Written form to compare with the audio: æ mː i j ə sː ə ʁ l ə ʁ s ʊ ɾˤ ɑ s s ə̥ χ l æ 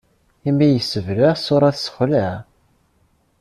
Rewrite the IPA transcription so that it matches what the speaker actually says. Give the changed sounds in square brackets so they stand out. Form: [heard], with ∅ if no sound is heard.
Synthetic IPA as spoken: [i] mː i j ə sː ə [v] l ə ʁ s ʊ ɾˤ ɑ [θ] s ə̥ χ l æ

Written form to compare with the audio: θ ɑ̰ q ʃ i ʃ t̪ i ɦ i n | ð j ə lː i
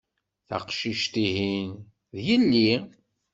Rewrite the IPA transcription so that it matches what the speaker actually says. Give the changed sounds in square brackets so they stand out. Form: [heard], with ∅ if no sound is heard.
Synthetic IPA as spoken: θ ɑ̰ q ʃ i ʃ t̪ i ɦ i n | ð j ə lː i

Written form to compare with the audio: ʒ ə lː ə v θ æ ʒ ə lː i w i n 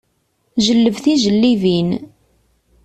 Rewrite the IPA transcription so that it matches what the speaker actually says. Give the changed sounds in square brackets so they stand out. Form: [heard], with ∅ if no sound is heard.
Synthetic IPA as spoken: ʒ ə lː ə v θ [i] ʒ ə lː i [v] i n

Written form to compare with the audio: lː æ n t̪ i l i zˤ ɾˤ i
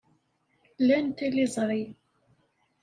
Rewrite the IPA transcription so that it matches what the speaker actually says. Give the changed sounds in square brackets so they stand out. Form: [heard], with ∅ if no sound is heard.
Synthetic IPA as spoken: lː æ n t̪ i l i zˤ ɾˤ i

